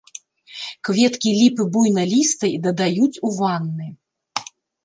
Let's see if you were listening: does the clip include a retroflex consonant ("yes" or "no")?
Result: no